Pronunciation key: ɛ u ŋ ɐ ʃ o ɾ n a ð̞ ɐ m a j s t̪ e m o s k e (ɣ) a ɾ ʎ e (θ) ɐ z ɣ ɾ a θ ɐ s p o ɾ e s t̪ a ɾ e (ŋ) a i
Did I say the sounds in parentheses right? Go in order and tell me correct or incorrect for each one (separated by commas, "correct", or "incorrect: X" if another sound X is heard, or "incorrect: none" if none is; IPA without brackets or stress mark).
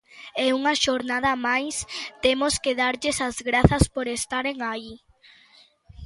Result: incorrect: ð, incorrect: s, correct